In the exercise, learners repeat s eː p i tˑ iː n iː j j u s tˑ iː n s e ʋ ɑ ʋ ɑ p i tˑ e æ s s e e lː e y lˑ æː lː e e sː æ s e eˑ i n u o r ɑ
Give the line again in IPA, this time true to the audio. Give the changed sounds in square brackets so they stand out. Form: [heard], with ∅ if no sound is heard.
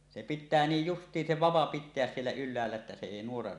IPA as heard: s [e] p i tˑ [æː] n iː j j u s tˑ iː n s e ʋ ɑ ʋ ɑ p i tˑ e æ s s [i] e lː [æ] y lˑ æː lː [æ] e [tː] æ s e eˑ i n u o r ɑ